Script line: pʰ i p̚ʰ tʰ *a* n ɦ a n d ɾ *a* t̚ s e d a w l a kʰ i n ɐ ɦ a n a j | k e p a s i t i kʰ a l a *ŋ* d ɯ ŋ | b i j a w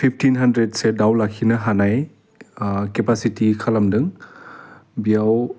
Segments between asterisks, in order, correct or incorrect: incorrect: i, incorrect: e, incorrect: m

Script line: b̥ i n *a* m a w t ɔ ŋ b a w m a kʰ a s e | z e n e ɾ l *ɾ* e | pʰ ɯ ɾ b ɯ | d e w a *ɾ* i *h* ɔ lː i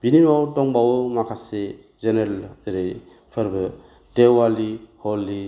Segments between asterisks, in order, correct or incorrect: incorrect: i, correct, incorrect: l, correct

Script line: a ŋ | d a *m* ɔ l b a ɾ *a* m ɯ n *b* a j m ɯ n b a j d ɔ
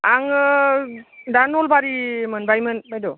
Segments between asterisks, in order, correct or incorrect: incorrect: n, incorrect: i, correct

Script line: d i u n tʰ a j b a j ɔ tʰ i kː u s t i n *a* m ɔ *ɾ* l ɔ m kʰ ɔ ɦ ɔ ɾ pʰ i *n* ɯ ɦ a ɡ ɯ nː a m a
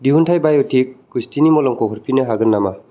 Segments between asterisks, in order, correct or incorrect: incorrect: i, incorrect: none, correct

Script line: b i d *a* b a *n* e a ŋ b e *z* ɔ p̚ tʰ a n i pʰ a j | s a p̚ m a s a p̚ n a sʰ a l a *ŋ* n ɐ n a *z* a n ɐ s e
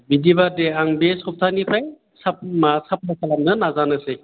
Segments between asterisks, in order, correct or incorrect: incorrect: i, incorrect: d, incorrect: s, incorrect: m, correct

